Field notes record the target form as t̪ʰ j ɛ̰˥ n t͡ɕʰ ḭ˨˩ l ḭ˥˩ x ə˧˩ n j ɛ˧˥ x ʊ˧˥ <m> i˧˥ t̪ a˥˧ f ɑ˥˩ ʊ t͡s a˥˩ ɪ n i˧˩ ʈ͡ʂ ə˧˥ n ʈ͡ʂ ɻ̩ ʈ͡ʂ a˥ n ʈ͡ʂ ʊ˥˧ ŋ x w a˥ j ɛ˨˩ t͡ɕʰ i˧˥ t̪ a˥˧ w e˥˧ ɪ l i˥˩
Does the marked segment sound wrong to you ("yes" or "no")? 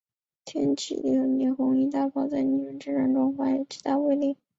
yes